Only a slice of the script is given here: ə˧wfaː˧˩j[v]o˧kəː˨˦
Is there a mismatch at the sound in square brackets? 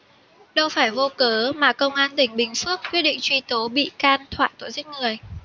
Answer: no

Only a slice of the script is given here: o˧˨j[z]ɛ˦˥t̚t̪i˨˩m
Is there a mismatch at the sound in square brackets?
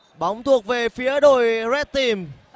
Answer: no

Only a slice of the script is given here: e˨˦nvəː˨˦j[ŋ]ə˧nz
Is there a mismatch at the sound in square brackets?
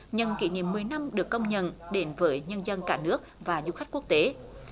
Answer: yes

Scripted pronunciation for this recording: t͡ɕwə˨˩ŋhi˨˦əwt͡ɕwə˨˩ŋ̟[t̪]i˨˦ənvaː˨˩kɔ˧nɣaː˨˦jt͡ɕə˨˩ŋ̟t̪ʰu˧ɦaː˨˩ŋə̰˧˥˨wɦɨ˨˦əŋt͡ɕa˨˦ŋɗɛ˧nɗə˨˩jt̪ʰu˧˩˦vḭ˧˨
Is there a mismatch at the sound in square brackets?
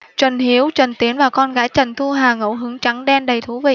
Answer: no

